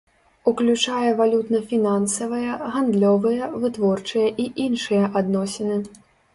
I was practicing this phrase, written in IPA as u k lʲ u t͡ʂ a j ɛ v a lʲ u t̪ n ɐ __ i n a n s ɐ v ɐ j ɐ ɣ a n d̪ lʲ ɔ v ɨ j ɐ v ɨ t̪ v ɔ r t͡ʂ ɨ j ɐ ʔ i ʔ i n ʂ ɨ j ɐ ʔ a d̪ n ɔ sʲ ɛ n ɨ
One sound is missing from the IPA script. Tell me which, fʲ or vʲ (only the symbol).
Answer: fʲ